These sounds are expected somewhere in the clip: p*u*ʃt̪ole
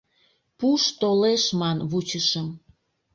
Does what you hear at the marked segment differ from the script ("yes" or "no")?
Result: no